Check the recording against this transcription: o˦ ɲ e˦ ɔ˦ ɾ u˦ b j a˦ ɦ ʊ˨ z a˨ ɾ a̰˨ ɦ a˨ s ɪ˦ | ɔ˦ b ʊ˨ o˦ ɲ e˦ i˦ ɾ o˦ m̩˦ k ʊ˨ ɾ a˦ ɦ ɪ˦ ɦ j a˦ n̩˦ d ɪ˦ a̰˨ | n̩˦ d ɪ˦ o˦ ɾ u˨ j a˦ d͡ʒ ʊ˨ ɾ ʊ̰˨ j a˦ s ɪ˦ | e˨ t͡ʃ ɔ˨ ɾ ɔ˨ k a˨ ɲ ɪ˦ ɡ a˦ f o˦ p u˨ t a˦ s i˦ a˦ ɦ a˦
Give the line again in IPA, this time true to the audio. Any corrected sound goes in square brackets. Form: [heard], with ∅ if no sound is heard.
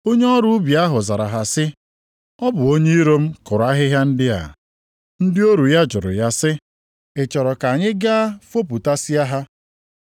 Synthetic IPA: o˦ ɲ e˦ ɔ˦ ɾ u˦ b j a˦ ɦ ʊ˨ z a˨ ɾ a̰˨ ɦ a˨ s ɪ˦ | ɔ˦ b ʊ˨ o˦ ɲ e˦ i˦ ɾ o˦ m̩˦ k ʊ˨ ɾ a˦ ɦ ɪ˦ ɦ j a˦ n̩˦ d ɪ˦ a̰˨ | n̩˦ d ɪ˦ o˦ ɾ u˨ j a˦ d͡ʒ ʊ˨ ɾ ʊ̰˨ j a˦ s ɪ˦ | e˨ t͡ʃ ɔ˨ ɾ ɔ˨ k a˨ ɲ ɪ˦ ɡ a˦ f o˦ p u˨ t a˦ s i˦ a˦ ɦ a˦

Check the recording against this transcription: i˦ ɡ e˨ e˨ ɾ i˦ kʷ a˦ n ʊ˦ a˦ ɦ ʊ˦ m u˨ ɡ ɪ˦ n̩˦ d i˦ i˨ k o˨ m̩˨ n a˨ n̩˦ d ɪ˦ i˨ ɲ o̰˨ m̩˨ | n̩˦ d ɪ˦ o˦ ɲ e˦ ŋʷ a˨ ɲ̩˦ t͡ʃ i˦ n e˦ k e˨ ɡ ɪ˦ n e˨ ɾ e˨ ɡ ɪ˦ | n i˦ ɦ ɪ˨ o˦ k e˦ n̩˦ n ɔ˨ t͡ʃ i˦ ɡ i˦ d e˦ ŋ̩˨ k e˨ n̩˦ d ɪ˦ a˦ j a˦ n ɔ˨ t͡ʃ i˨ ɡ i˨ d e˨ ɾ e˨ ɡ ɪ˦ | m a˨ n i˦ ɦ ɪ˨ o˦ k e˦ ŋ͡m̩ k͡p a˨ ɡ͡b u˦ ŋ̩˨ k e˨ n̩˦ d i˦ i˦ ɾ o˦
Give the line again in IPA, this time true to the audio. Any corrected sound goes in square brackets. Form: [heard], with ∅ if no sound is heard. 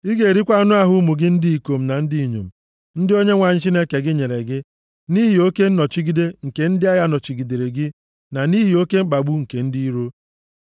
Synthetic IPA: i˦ ɡ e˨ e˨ ɾ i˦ kʷ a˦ n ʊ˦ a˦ ɦ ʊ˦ m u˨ ɡ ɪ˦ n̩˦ d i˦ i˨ k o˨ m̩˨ n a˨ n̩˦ d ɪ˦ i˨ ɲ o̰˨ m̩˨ | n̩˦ d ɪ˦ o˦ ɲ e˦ ŋʷ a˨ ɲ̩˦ t͡ʃ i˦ n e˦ k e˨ ɡ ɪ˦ [ɲ] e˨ ɾ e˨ ɡ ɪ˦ | n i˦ ɦ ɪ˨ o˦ k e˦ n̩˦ n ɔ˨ t͡ʃ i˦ ɡ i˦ d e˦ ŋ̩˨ k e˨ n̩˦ d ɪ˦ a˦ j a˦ n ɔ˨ t͡ʃ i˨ ɡ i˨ d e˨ ɾ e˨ ɡ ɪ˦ | [n] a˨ n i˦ ɦ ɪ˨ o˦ k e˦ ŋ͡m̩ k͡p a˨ ɡ͡b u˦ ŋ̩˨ k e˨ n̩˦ d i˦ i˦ ɾ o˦

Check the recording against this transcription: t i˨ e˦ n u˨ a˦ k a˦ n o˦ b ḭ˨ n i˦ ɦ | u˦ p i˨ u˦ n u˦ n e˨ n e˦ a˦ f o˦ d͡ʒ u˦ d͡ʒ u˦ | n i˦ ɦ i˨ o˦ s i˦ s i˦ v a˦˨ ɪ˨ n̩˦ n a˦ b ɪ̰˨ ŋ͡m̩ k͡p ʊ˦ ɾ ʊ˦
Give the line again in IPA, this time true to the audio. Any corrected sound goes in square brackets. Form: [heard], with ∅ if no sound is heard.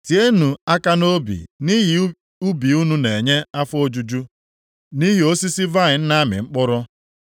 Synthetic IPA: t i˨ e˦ n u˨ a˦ k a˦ n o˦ b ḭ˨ n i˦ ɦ | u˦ [b] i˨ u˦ n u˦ n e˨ [ɲ] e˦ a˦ f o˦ d͡ʒ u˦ d͡ʒ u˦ | n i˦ ɦ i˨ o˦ s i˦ s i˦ v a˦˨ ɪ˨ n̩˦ n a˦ [m] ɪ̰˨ ŋ͡m̩ k͡p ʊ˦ ɾ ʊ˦

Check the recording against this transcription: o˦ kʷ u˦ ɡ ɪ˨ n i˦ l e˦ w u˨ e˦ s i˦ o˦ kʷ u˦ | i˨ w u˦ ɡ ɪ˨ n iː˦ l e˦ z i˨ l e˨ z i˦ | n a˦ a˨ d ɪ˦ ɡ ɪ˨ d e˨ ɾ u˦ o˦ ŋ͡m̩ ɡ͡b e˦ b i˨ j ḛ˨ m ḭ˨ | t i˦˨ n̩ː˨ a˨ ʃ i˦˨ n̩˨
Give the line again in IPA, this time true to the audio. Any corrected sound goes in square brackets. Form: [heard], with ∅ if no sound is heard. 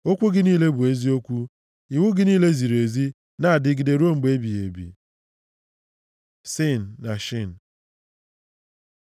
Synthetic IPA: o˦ kʷ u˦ ɡ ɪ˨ n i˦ l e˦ [b] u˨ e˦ [z] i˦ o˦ kʷ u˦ | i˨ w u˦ ɡ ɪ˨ n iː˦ l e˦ z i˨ [ɾ] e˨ z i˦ | n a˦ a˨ d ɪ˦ ɡ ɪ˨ d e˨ ɾ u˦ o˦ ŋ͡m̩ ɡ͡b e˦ b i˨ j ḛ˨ [b] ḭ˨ | [s] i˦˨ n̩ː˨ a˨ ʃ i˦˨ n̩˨

